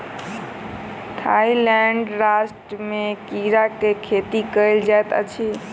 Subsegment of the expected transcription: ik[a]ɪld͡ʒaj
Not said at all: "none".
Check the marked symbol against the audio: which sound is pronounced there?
ə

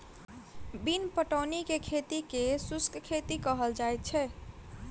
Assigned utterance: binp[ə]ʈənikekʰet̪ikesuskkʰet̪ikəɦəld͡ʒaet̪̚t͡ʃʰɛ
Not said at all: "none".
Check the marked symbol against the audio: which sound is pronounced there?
ə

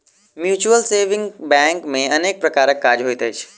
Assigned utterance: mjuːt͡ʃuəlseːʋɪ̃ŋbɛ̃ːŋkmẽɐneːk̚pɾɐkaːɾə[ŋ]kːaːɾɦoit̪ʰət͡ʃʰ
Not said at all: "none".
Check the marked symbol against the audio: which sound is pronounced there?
none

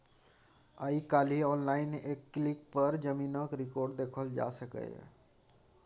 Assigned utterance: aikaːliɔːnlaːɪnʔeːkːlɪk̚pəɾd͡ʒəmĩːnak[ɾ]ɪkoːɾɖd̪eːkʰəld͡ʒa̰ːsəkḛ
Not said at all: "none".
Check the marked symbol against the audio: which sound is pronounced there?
ɾ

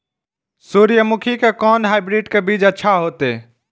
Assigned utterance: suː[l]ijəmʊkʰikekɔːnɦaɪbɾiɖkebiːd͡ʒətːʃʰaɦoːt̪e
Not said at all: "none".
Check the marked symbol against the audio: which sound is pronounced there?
ɾ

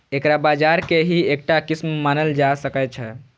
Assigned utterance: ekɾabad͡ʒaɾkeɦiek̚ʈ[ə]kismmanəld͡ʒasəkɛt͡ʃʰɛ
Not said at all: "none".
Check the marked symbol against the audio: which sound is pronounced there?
a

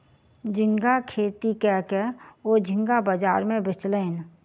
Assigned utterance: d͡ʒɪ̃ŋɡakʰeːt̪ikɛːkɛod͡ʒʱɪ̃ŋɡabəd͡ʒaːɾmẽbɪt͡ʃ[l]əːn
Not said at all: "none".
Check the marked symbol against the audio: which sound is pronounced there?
l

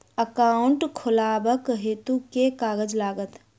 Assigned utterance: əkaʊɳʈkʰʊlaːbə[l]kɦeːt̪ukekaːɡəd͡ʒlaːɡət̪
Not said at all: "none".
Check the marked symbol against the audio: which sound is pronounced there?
none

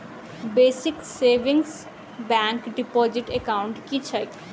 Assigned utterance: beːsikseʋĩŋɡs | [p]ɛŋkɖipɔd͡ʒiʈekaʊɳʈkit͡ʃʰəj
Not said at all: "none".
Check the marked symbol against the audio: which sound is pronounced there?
b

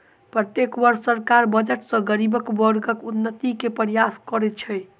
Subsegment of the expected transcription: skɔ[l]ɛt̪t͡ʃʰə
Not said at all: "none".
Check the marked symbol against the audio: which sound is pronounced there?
ɾ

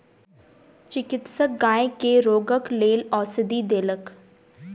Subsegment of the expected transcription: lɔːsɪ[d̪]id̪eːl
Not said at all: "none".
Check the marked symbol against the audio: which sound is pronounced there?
d̪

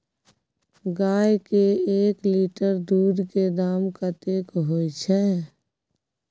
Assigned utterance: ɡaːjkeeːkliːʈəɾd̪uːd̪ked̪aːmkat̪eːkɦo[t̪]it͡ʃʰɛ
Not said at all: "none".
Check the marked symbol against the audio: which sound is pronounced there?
none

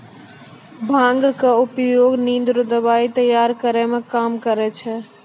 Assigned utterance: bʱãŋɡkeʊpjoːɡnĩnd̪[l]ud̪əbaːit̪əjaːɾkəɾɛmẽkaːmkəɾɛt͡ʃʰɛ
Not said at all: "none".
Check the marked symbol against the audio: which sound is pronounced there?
ɾ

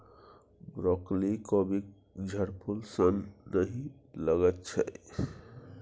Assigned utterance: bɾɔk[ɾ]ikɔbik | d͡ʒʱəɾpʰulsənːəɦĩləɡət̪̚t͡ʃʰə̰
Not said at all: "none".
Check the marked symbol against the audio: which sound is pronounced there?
l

